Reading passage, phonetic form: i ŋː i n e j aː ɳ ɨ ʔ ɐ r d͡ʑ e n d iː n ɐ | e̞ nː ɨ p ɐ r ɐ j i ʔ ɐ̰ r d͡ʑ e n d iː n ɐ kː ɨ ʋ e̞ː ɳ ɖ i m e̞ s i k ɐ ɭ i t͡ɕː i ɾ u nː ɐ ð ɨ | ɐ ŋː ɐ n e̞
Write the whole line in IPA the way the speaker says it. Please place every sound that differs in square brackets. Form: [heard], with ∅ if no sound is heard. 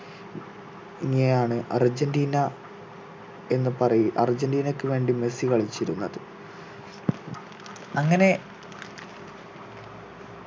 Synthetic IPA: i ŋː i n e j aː ɳ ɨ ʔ ɐ r d͡ʑ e n d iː n ɐ | e̞ nː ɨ p ɐ r ɐ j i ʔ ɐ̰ r d͡ʑ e n d iː n ɐ kː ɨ ʋ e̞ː ɳ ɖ i m e̞ s i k ɐ ɭ i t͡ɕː i ɾ u nː ɐ ð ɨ | ɐ ŋː ɐ n e̞